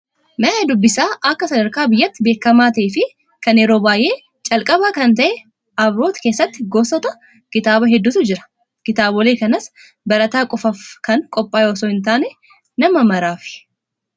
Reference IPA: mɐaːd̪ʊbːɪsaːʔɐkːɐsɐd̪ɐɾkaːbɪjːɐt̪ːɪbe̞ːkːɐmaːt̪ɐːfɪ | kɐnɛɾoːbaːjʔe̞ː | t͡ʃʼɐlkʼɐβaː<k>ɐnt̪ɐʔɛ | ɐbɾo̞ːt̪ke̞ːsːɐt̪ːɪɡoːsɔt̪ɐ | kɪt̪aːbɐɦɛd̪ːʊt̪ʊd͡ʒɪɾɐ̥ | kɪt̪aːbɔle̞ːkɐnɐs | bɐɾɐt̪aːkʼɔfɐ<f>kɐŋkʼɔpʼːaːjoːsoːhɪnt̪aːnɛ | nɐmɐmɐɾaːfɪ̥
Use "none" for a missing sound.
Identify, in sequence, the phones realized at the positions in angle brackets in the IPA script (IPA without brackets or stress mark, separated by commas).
k, f